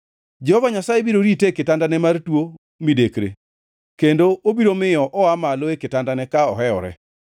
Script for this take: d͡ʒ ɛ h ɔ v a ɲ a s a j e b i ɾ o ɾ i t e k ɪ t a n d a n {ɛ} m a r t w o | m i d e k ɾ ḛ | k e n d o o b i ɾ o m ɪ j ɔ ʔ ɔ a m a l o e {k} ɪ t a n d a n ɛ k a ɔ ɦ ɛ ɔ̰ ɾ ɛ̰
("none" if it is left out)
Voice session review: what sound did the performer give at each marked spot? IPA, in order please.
ɛ, k

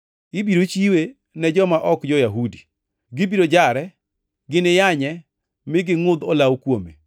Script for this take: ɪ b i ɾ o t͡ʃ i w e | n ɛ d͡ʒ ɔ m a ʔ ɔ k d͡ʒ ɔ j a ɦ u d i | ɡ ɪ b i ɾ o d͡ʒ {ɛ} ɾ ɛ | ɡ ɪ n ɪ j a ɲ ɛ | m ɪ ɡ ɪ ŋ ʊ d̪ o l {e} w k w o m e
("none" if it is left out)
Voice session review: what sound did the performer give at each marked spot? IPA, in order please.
a, a

